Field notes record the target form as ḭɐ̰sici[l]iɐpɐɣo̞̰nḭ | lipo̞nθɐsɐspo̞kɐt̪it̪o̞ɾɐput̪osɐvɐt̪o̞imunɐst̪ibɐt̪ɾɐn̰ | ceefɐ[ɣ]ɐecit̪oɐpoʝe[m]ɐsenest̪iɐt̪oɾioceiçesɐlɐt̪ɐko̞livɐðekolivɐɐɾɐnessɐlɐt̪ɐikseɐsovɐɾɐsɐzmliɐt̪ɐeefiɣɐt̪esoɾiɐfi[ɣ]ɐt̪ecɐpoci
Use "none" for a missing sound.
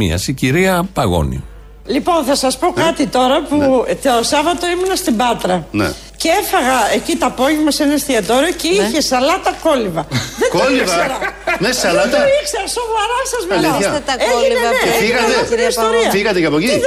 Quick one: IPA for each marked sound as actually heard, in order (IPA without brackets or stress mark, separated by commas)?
ɾ, ɣ, m, ɣ